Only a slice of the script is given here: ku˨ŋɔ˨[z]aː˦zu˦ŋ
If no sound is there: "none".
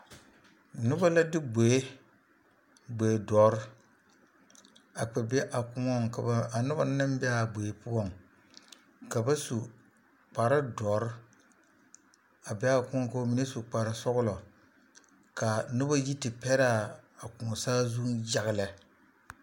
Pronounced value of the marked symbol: s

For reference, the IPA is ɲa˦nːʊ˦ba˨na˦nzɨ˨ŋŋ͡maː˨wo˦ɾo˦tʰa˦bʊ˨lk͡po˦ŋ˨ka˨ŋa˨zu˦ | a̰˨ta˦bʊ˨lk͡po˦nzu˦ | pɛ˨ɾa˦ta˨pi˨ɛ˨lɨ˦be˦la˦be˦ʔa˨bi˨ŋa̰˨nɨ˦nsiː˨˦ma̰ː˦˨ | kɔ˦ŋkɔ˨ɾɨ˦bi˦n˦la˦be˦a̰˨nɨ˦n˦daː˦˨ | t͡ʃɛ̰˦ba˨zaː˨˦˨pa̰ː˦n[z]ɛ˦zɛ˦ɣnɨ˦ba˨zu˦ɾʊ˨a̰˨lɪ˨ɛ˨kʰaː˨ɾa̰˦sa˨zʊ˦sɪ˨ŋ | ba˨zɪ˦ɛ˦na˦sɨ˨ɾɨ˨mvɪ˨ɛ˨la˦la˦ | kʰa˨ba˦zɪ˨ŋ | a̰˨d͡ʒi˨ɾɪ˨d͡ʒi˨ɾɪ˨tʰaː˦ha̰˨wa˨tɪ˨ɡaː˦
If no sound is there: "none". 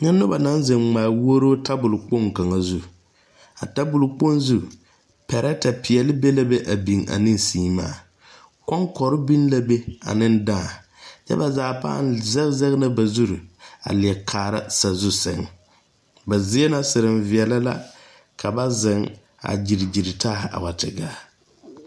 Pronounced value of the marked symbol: z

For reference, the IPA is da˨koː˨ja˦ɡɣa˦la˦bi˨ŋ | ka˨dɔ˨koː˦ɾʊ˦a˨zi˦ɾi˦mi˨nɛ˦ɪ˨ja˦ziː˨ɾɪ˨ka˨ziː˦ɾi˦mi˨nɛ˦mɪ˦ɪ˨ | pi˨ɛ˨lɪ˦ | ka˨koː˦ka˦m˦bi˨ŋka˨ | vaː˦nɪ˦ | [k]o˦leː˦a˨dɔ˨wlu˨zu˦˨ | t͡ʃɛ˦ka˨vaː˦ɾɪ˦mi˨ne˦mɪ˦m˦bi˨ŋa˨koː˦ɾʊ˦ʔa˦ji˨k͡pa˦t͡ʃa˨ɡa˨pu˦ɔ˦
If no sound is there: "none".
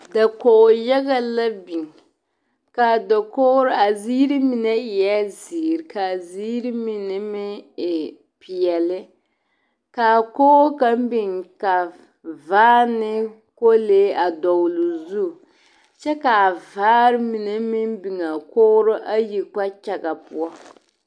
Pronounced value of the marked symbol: k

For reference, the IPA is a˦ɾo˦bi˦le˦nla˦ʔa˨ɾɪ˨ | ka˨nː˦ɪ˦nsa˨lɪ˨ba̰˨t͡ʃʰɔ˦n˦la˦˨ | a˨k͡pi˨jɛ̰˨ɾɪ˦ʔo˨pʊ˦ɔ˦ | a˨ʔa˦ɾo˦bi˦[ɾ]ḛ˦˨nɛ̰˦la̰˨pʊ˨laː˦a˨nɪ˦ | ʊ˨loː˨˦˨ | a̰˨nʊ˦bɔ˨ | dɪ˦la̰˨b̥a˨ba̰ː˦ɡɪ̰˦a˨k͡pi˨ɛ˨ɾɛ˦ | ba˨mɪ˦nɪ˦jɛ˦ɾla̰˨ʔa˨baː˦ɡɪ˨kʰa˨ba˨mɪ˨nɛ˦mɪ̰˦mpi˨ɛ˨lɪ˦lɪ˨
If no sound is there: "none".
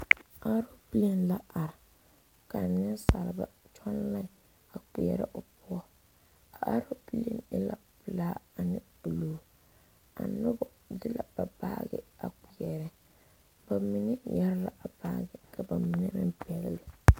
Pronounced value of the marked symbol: l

